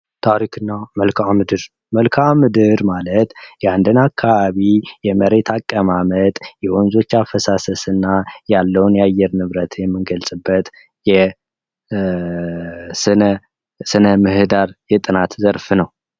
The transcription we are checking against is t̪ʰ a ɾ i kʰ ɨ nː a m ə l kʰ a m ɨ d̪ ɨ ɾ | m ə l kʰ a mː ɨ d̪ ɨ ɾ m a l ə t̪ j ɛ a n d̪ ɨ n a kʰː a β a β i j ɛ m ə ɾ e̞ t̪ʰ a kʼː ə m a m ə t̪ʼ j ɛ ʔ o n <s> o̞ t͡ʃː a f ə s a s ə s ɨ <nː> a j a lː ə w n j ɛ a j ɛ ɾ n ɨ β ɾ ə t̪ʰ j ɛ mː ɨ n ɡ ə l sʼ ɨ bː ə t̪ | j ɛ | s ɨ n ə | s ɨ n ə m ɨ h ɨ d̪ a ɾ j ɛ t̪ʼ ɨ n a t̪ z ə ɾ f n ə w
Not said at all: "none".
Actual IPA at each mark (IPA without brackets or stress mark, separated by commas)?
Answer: z, nː